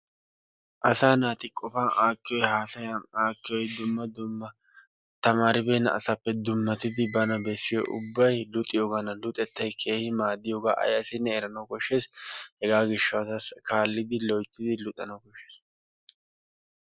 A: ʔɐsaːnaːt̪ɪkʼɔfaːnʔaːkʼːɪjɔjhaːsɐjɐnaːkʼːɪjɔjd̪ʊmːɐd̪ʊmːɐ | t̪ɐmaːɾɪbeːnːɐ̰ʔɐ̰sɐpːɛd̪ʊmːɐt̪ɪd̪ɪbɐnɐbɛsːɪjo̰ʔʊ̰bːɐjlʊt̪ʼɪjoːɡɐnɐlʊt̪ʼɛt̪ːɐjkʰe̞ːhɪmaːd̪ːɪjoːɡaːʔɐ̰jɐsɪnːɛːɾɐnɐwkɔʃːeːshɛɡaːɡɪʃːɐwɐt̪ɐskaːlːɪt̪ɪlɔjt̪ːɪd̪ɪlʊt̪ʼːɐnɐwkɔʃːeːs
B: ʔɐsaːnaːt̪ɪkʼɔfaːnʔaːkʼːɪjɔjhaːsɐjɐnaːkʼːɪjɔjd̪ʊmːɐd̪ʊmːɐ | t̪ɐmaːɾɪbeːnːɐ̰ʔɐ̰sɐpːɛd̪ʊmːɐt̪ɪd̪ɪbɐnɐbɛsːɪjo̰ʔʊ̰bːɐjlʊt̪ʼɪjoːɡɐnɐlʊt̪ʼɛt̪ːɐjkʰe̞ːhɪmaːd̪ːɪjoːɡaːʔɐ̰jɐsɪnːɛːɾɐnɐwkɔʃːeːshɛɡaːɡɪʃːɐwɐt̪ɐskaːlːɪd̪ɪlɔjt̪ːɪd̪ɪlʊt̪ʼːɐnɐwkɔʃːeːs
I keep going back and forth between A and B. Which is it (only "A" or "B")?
B